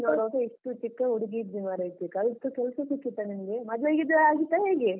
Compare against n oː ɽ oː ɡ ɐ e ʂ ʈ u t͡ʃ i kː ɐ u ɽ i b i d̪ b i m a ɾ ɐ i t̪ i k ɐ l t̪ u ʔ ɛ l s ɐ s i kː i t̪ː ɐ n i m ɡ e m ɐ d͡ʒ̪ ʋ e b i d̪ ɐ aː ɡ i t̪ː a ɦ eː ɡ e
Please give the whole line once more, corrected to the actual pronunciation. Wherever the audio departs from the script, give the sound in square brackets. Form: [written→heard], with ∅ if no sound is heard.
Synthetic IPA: n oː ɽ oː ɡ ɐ [e→i] ʂ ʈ u t͡ʃ i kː ɐ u ɽ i [b→ɡ] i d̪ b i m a ɾ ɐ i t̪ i k ɐ l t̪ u [ʔ→k] ɛ l s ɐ s i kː i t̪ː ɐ n i m ɡ e m ɐ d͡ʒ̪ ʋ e [b→ɡ] i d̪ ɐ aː ɡ i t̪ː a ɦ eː ɡ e